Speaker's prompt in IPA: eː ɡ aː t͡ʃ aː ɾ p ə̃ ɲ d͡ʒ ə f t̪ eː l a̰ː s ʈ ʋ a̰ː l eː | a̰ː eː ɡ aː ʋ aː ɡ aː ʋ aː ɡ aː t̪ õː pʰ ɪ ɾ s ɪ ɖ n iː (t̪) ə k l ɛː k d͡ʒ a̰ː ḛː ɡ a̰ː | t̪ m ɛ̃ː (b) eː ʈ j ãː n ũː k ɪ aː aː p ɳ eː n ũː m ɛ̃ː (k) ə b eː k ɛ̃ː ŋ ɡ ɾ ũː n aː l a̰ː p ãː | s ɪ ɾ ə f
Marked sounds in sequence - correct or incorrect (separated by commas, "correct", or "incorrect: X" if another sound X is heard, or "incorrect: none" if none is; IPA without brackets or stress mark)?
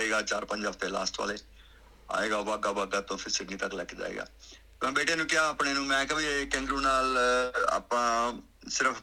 correct, correct, correct